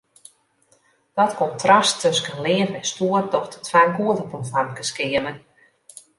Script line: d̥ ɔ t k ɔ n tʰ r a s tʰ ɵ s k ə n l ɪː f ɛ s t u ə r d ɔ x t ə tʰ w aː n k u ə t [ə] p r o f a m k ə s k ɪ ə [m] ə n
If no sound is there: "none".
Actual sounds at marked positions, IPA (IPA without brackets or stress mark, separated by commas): ə, m